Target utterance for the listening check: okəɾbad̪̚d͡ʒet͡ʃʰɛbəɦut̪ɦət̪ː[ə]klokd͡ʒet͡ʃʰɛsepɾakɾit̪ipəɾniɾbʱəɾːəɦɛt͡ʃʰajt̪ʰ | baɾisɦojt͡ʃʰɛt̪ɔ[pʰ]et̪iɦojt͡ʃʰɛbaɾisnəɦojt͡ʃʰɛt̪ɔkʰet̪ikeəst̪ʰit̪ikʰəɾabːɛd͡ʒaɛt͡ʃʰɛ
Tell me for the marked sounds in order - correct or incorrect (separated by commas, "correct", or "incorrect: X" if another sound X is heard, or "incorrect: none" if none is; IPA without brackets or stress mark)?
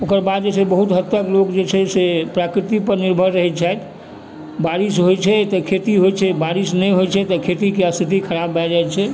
correct, incorrect: kʰ